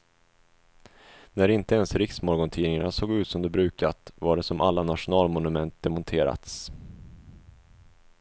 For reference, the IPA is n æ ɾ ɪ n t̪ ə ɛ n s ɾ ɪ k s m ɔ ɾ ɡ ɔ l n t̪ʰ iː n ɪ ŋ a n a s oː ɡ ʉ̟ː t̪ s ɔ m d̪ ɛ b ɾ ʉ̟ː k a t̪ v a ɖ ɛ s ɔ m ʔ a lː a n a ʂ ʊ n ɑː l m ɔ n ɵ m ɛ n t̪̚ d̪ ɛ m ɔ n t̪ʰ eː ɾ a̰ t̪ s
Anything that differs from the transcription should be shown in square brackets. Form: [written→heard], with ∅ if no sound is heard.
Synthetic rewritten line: n æ ɾ ɪ n t̪ ə ɛ n s ɾ ɪ k s m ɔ ɾ ɡ ɔ [l→∅] n t̪ʰ iː n ɪ ŋ a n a s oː ɡ ʉ̟ː t̪ s ɔ m d̪ ɛ b ɾ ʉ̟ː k a t̪ v a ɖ ɛ s ɔ m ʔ a lː a n a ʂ ʊ n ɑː l m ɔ n ɵ m ɛ n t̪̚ d̪ ɛ m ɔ n t̪ʰ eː ɾ a̰ t̪ s